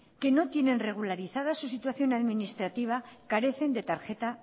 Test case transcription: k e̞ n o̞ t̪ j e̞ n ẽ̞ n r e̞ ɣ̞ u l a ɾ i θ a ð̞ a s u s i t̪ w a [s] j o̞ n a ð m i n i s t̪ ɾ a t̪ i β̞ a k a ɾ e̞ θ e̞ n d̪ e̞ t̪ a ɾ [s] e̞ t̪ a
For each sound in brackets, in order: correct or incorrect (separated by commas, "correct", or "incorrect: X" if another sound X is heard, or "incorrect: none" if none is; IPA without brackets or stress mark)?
incorrect: θ, incorrect: x